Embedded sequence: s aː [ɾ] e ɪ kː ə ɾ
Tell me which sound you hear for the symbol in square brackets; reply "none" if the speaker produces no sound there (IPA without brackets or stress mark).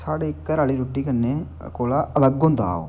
ɽ